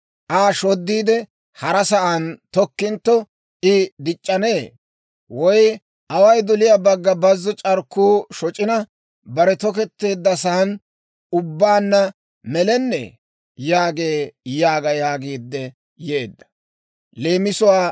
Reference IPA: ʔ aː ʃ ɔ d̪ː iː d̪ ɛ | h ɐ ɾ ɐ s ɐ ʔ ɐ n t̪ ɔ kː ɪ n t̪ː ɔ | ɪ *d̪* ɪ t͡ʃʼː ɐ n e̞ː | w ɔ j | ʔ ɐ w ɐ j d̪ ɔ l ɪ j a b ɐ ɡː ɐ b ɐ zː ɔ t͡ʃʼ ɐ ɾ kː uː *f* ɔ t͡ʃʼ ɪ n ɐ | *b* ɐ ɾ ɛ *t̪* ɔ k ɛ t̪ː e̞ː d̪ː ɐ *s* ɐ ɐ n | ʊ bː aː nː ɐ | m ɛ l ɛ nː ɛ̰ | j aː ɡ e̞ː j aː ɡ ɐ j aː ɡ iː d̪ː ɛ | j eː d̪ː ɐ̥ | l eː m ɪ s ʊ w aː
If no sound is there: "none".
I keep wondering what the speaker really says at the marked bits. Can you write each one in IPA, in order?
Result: d̪, ʃ, b, t̪, s

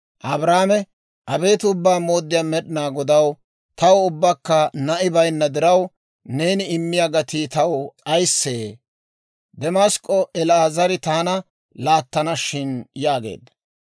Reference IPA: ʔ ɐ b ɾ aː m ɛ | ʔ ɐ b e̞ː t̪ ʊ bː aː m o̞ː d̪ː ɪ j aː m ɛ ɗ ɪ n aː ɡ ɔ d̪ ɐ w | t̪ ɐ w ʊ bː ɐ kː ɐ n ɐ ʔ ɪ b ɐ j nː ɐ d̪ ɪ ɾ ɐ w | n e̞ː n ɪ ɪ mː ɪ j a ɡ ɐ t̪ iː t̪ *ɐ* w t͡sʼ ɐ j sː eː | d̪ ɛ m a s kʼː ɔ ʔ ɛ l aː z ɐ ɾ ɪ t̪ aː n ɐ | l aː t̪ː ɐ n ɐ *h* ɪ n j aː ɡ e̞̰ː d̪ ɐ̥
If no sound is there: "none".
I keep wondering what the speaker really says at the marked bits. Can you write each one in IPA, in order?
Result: ɐ, ʃ

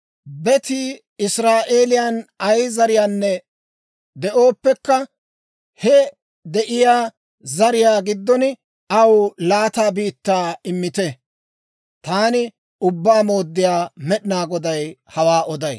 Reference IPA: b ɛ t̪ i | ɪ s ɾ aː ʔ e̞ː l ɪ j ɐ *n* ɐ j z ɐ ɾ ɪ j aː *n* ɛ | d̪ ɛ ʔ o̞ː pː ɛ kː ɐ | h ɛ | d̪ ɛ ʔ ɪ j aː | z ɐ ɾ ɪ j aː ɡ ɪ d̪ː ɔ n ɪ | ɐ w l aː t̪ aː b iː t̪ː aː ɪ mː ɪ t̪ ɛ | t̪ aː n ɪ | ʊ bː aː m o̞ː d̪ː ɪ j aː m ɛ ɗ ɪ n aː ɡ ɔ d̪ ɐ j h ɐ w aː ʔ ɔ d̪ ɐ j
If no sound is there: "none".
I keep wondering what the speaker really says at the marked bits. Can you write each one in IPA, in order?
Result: n, nː

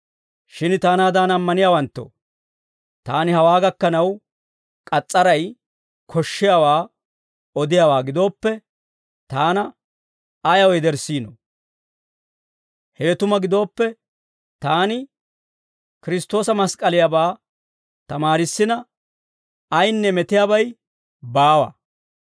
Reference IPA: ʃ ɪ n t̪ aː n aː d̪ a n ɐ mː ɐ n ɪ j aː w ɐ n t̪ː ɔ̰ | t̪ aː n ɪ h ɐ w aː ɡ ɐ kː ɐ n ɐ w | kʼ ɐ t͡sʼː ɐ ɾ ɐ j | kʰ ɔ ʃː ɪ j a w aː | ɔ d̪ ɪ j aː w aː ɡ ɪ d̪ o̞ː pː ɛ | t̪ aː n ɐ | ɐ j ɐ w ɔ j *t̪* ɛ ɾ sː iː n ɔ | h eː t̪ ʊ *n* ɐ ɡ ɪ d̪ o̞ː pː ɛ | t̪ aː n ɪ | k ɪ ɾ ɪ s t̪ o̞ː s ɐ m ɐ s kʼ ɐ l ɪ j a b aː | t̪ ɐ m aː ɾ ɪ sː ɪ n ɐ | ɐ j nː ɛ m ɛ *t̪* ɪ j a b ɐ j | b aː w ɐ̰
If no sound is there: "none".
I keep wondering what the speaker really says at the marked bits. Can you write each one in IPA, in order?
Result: d̪, m, t̪

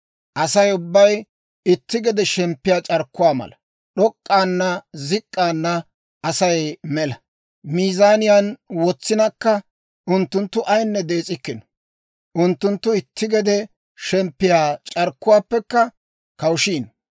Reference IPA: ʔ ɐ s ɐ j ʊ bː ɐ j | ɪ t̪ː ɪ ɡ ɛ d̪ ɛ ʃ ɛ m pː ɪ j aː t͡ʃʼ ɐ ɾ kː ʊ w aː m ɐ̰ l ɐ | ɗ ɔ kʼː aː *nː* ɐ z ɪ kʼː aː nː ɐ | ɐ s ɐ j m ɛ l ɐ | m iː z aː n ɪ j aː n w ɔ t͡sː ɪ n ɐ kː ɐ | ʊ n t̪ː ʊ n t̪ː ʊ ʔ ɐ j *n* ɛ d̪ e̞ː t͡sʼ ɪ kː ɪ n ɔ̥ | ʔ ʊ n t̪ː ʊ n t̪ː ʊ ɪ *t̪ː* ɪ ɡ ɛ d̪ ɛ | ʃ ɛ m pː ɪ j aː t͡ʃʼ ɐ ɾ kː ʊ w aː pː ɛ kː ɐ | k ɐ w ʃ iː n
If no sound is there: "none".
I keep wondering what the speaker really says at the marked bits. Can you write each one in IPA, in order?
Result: nː, nː, t̪ː

